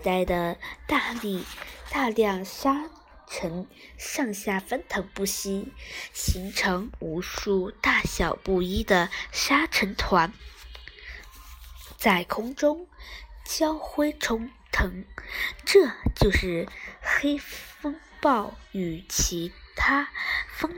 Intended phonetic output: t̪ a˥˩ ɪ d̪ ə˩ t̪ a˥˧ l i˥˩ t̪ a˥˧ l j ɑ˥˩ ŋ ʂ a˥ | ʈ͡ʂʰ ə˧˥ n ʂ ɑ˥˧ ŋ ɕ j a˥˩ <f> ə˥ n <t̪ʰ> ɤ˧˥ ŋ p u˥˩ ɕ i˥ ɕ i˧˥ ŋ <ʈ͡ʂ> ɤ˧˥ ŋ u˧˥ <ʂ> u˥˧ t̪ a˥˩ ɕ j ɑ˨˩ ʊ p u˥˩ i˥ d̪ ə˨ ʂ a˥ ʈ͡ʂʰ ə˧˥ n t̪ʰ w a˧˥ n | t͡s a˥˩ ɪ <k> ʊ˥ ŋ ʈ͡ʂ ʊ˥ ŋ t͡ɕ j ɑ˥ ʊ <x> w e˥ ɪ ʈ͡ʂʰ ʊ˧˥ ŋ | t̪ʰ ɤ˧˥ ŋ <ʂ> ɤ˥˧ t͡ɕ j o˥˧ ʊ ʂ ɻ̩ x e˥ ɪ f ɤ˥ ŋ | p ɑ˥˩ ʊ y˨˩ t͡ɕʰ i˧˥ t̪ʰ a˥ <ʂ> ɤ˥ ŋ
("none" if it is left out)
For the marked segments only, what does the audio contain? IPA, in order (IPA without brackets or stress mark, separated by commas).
f, t̪ʰ, ʈ͡ʂʰ, ʂ, kʰ, x, ʈ͡ʂ, f